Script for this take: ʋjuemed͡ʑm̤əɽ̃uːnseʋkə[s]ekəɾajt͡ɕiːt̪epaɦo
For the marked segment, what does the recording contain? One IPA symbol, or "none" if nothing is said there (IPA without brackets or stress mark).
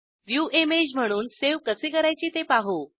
s